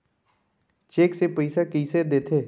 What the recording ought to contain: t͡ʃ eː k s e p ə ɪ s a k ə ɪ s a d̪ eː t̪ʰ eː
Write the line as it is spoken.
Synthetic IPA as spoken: t͡ʃ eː k s e p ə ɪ s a k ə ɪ s e d̪ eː t̪ʰ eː